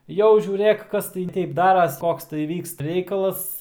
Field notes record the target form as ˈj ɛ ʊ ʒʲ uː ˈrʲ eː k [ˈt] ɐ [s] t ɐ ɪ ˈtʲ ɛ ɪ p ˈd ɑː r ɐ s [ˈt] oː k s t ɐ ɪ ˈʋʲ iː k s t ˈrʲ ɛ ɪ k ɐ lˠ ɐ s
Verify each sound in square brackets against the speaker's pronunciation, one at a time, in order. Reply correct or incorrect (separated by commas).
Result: incorrect, correct, incorrect